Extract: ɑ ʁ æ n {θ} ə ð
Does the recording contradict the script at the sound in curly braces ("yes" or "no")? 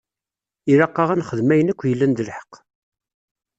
yes